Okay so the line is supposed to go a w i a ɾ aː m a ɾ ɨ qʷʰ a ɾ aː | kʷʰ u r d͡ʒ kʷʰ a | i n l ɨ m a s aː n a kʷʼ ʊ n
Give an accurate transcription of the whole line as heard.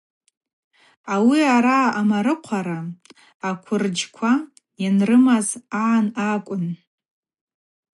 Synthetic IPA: a w i a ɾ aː m a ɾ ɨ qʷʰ a ɾ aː | kʷʰ ʊ r d͡ʒ kʷʰ a | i n r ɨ m a z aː n a kʷʼ ʊ n